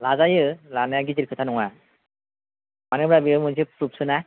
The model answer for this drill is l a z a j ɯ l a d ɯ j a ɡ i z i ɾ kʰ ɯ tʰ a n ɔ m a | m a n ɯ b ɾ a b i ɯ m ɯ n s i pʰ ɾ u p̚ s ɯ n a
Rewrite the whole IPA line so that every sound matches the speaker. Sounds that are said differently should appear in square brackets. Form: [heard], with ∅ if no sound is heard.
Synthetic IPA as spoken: l a z a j ɯ l a [n] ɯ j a ɡ i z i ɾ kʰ ɯ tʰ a n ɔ [ŋ] a | m a n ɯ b ɾ a b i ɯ m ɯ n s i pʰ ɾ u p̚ s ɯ n a